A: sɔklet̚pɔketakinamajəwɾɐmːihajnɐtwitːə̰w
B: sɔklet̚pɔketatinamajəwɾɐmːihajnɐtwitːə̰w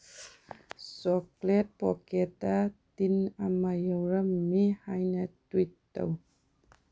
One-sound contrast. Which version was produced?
B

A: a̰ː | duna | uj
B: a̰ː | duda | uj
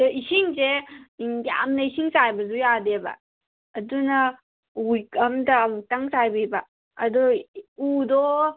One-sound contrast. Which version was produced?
A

